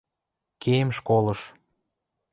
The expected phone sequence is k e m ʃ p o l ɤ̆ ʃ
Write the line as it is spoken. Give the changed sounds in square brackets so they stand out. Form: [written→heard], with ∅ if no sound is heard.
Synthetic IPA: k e m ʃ [p→k] o l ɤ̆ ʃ